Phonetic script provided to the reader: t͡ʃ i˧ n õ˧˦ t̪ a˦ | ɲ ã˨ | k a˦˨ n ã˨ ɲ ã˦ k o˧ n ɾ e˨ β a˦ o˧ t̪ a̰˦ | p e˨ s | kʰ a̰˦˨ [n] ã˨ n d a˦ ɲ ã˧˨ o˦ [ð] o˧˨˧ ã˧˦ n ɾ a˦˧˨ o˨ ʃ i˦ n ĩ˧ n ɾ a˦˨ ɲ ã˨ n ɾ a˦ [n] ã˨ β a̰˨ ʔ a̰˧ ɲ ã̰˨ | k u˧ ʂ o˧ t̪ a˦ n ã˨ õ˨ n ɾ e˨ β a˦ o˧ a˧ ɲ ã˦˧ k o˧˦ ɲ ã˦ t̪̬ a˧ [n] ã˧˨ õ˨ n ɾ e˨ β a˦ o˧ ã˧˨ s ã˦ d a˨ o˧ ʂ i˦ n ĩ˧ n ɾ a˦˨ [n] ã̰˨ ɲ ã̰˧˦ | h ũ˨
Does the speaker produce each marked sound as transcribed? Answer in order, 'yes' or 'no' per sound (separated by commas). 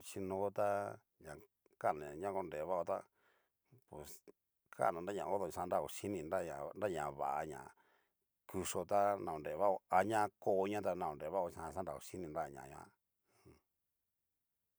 yes, yes, no, yes, no